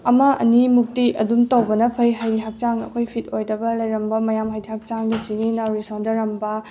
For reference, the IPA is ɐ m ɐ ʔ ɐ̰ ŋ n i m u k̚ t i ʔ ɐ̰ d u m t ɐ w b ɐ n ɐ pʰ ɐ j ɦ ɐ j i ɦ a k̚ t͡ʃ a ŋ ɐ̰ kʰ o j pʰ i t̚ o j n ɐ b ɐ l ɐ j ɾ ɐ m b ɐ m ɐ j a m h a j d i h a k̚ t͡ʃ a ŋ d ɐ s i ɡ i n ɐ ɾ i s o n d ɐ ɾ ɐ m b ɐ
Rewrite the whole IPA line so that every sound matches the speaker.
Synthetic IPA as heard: ɐ m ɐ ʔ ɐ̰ n i m u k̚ t i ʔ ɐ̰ d u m t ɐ w b ɐ n ɐ pʰ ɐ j ɦ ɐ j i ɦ a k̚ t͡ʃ a ŋ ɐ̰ kʰ o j pʰ i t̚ o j d ɐ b ɐ l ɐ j ɾ ɐ m b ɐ m ɐ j a m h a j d i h a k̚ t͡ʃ a ŋ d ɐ s i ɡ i n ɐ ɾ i s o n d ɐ ɾ ɐ m b ɐ